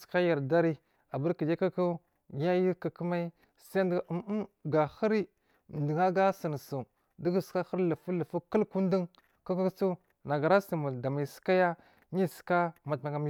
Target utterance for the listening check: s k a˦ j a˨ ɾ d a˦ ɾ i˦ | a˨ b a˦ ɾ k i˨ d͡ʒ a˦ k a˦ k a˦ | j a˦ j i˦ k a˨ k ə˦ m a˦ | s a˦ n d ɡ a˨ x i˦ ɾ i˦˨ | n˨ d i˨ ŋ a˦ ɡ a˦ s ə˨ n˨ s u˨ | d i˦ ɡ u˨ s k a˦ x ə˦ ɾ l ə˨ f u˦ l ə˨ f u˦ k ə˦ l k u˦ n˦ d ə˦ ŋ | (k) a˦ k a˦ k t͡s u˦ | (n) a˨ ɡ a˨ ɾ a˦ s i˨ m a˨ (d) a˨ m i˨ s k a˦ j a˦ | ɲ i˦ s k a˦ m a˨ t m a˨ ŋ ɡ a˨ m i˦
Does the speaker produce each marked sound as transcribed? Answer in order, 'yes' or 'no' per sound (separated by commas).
yes, yes, yes